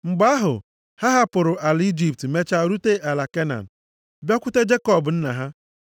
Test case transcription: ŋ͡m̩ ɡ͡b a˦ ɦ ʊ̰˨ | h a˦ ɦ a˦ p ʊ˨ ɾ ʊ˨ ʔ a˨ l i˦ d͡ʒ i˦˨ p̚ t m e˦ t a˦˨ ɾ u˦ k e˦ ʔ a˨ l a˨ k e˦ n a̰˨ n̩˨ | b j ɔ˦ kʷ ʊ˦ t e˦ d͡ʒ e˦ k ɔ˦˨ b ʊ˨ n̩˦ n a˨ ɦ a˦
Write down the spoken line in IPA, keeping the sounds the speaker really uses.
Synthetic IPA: ŋ͡m̩ ɡ͡b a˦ ɦ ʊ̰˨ | h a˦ ɦ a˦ p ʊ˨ ɾ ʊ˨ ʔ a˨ l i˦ d͡ʒ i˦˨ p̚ t m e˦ t͡ʃ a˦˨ ɾ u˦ t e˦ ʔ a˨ l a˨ k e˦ n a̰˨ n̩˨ | b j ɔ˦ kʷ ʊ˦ t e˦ d͡ʒ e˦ k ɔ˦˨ b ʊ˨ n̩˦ n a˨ ɦ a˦